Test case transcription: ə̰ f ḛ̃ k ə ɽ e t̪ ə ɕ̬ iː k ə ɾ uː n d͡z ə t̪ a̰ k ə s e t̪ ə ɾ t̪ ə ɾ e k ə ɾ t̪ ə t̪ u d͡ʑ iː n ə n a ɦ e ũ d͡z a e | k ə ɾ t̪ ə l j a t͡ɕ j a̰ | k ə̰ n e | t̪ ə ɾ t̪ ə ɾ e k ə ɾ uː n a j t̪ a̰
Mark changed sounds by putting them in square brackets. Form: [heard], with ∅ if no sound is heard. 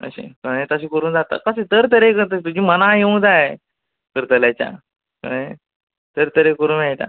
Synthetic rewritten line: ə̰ [ɕ] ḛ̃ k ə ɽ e t̪ ə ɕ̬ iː k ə ɾ uː n d͡z [a] t̪ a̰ k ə s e t̪ ə ɾ t̪ ə ɾ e k ə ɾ t̪ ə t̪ u d͡ʑ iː [m] ə n a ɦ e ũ d͡z a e | k ə ɾ t̪ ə l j a t͡ɕ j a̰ | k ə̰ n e | t̪ ə ɾ t̪ ə ɾ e k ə ɾ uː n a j t̪ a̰